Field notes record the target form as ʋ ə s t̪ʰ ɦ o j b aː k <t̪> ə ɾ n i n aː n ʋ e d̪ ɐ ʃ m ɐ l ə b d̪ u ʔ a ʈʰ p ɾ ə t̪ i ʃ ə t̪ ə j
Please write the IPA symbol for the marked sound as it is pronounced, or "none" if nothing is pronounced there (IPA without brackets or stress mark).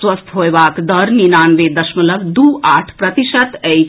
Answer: d̪